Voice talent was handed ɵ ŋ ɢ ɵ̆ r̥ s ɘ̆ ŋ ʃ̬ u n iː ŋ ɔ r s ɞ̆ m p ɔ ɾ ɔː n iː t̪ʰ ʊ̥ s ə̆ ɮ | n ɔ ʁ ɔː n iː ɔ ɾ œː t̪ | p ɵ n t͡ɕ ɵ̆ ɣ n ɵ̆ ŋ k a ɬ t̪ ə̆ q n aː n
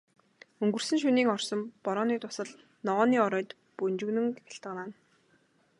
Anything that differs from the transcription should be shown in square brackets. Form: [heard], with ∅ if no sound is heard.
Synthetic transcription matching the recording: ɵ ŋ [ɡ] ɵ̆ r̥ s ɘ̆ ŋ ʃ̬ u n iː ŋ ɔ r s ɞ̆ m p ɔ ɾ ɔː n iː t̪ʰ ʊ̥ s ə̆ ɮ | n ɔ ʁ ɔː n iː ɔ ɾ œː t̪ | p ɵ n t͡ɕ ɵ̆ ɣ n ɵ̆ ŋ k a ɬ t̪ ə̆ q n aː n